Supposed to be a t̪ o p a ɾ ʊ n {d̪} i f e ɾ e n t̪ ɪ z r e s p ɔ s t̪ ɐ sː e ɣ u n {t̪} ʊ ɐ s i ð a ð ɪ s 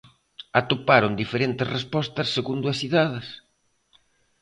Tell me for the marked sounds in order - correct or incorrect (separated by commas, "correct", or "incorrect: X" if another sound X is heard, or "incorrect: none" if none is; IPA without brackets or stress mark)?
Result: correct, incorrect: d̪